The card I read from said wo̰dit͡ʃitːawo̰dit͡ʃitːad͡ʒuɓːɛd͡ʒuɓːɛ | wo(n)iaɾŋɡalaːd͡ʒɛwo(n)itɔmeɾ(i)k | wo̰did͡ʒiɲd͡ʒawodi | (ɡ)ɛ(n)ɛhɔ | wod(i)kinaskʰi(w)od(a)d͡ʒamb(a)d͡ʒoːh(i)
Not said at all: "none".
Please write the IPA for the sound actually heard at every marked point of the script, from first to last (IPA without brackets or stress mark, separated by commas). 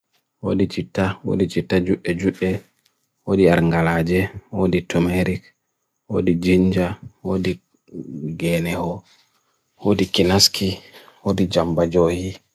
d, d, i, ɡ, n, i, w, i, a, i